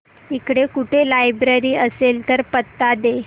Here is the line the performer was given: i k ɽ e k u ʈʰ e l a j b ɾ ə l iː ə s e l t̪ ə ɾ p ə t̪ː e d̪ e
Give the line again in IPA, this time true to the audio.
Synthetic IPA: i k ɽ e k u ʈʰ e l a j b ɾ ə ɾ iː ə s e l t̪ ə ɾ p ə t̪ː a d̪ e